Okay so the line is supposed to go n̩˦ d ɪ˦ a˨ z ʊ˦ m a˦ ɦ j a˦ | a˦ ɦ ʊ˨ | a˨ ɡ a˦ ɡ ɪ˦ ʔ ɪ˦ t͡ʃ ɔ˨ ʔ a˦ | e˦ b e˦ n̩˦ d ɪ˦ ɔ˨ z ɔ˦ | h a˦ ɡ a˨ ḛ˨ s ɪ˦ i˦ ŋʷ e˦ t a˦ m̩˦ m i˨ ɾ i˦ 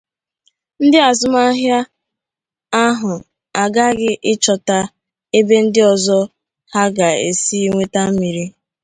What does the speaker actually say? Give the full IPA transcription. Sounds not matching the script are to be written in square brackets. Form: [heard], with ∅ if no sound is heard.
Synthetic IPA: n̩˦ d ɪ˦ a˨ z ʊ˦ m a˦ ɦ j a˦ | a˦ ɦ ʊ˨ | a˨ ɡ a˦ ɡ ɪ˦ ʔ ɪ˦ t͡ʃ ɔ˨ [t] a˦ | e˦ b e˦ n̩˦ d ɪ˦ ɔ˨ z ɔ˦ | h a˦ ɡ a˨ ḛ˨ s [i˦] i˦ ŋʷ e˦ t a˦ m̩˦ m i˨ ɾ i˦

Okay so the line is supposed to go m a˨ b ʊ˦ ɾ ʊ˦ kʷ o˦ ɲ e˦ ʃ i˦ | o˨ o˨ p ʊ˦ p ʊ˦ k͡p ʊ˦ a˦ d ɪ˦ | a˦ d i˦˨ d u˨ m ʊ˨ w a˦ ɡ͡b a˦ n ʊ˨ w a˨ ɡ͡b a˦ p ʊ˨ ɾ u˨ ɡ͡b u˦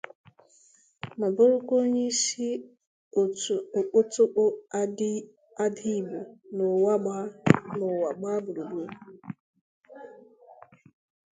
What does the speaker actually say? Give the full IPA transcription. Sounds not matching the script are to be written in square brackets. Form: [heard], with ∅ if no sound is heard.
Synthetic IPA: m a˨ b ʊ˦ ɾ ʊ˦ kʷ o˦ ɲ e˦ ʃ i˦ | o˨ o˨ [k͡p] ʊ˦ [t] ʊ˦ k͡p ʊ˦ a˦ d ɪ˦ | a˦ d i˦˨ [b] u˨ [n] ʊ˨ w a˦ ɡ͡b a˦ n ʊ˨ w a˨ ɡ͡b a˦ [b] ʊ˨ ɾ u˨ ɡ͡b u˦

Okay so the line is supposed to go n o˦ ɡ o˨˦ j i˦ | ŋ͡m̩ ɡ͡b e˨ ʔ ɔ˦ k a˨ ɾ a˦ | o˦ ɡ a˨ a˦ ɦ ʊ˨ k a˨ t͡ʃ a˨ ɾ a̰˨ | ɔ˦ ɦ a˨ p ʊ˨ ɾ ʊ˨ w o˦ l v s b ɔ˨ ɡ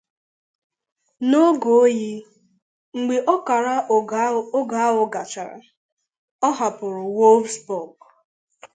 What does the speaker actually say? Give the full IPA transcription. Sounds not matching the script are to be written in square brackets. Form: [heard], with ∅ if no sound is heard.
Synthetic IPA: n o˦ ɡ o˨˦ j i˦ | ŋ͡m̩ ɡ͡b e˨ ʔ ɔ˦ k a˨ ɾ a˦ | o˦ ɡ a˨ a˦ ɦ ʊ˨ [ɡ] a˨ t͡ʃ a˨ ɾ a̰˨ | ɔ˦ ɦ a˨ p ʊ˨ ɾ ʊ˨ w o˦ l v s b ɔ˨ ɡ

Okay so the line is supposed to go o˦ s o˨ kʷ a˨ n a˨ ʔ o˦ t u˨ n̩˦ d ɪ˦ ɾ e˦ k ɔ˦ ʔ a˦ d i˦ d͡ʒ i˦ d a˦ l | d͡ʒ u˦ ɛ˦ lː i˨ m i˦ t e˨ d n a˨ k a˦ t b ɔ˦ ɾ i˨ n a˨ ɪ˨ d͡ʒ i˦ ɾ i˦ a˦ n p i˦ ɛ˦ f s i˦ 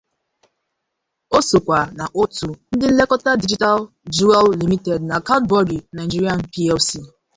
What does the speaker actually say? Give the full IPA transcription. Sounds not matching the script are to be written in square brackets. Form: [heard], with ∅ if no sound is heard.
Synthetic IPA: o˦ s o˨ kʷ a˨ n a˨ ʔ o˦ t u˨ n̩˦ d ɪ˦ [l] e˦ k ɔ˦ [t] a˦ d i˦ d͡ʒ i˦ [t] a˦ l | d͡ʒ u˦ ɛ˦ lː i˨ m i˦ t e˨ d n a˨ k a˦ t b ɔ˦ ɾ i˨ n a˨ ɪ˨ d͡ʒ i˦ ɾ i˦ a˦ n p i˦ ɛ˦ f s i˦

